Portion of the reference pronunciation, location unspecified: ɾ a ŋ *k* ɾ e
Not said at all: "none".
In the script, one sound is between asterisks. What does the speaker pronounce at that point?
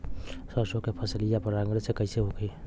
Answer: ɡ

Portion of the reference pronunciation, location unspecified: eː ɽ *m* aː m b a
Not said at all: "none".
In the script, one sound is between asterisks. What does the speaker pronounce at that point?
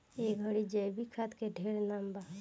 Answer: n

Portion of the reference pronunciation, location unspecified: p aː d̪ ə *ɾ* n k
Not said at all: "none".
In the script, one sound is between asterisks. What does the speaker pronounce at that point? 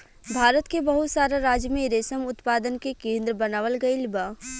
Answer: none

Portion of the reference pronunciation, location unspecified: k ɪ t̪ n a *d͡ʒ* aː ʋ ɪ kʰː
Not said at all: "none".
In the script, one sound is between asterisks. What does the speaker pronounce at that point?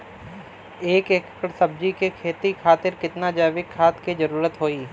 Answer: d͡ʒ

